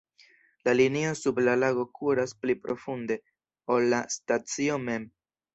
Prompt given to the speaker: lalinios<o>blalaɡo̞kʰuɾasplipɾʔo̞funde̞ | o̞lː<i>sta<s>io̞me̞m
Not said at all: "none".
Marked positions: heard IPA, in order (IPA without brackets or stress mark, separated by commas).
u, a, t͡s